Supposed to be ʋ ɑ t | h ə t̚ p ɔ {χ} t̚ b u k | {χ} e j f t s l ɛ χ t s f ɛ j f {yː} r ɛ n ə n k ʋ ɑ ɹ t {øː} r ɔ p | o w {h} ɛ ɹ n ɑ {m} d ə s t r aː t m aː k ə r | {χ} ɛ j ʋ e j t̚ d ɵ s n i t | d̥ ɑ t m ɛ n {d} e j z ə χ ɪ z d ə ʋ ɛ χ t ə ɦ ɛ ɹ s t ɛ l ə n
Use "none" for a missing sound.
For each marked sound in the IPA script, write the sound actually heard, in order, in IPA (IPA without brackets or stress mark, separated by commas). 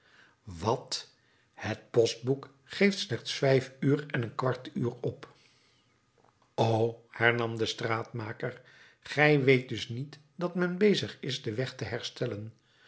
s, χ, yː, yː, h, m, χ, b